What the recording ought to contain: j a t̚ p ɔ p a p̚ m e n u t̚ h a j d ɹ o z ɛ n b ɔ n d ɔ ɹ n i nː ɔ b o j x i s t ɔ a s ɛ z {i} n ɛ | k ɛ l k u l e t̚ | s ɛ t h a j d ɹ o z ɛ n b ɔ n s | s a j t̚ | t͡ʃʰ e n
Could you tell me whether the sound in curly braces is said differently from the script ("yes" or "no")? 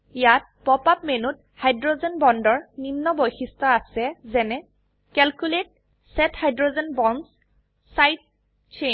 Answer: yes